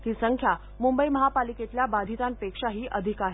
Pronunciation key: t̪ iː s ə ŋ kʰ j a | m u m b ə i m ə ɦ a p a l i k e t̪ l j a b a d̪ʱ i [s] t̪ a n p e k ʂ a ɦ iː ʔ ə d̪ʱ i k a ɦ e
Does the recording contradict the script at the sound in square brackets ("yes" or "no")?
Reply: yes